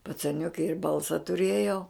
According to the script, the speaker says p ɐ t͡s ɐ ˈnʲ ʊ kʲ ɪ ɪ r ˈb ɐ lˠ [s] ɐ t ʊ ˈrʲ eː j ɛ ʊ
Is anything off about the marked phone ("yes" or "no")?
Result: no